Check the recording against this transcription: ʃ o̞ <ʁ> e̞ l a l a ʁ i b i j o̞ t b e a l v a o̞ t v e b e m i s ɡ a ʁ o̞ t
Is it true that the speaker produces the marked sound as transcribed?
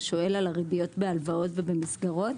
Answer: no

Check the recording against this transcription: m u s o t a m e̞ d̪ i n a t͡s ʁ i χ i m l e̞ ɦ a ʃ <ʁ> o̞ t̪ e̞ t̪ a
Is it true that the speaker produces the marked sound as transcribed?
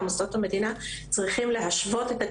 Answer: no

